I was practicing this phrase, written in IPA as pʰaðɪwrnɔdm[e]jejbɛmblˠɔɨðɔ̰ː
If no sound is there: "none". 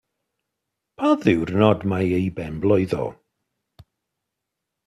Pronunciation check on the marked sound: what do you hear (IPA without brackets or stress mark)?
a